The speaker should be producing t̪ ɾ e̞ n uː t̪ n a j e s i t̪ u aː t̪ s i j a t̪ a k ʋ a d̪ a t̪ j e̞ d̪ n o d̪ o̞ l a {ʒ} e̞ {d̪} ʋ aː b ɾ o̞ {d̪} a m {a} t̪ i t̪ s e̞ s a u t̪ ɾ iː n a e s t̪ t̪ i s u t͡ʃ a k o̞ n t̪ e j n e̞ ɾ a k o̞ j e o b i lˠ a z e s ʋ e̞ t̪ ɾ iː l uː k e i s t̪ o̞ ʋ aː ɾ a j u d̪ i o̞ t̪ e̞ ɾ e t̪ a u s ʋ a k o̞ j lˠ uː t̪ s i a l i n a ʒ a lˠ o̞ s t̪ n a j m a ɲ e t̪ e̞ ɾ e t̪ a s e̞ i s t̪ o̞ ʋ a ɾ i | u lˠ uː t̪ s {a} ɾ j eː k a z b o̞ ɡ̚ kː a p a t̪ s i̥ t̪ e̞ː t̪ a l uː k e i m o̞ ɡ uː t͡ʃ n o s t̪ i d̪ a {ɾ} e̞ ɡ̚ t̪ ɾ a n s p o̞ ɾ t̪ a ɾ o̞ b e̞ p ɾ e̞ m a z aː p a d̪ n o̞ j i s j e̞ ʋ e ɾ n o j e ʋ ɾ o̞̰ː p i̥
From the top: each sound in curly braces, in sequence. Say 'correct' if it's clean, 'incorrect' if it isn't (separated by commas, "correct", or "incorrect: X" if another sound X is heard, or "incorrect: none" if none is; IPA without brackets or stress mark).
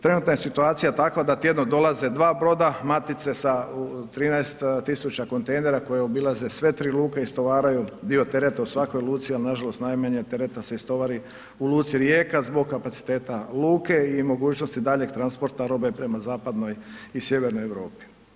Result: incorrect: z, correct, correct, correct, incorrect: i, incorrect: ʎ